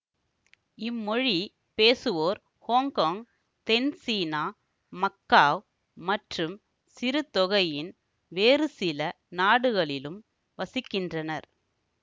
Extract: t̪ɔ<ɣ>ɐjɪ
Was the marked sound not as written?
no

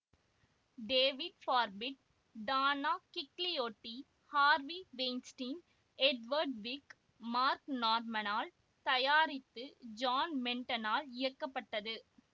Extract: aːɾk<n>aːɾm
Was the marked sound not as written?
no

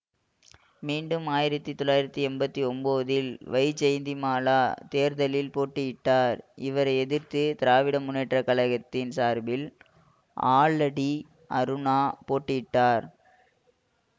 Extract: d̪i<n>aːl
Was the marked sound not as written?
yes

